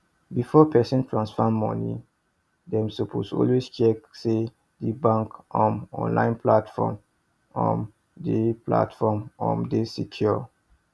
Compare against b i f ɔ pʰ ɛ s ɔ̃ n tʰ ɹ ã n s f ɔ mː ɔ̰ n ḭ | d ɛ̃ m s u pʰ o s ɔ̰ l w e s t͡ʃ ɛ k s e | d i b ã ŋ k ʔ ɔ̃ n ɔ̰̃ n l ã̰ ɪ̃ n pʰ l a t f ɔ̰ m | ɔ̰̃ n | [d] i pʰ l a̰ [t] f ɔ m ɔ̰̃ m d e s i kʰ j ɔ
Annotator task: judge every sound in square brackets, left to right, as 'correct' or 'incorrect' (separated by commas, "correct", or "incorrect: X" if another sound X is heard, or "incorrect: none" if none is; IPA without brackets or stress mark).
correct, correct